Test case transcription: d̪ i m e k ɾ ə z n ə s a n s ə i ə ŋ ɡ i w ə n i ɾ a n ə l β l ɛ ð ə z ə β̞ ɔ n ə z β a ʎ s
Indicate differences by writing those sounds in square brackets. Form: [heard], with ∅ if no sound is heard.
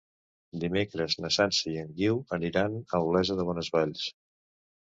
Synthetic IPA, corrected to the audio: d̪ i m e k ɾ ə z n ə s a n s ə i ə ŋ ɡ i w ə n i ɾ a n ə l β l ɛ [z] ə [ð] ə β̞ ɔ n ə z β a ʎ s